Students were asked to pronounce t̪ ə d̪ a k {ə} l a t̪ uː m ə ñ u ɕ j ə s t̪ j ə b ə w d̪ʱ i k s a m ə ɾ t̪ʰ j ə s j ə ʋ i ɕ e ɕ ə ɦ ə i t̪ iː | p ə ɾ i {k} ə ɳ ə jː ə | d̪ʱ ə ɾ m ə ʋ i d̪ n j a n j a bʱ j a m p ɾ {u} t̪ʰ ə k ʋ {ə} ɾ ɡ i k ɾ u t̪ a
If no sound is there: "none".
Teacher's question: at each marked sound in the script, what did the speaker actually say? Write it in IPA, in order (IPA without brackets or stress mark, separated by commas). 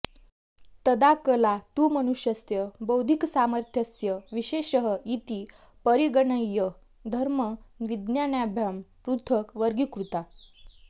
ə, ɡ, u, ə